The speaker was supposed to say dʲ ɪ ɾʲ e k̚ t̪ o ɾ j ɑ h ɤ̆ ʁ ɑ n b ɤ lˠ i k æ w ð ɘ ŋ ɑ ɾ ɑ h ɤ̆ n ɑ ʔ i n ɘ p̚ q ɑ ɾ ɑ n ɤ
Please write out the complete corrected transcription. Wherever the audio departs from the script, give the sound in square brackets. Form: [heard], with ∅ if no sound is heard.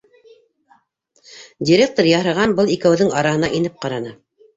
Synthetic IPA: dʲ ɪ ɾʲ e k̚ t̪ o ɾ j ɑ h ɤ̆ ʁ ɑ n b ɤ lˠ i k æ w ð ɘ ŋ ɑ ɾ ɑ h ɤ̆ n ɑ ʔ i n ɘ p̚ q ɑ ɾ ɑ n ɤ